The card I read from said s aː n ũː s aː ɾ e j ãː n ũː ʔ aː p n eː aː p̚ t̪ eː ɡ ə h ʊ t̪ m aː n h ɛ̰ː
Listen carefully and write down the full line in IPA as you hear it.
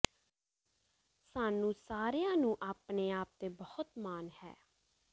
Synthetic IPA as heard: s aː n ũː s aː ɾ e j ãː n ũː ʔ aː p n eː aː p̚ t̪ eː b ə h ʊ t̪ m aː n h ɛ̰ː